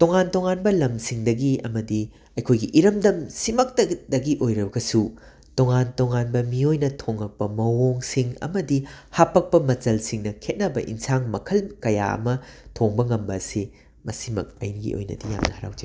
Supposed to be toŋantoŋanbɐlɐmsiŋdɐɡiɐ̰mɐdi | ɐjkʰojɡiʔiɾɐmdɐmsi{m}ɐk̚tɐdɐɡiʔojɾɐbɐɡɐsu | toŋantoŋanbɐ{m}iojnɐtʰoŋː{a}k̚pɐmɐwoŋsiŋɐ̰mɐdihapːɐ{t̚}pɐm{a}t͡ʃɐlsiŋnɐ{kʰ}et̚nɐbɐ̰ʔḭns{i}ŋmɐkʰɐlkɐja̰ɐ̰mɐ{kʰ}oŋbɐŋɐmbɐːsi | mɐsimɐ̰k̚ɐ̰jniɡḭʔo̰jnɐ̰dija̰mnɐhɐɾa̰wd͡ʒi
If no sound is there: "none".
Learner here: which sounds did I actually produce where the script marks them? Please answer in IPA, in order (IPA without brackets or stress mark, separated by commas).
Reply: m, m, ɐ, k̚, ɐ, kʰ, a, tʰ